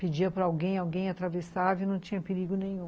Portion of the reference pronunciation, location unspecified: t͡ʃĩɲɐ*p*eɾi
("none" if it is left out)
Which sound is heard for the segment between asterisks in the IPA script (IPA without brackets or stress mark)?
p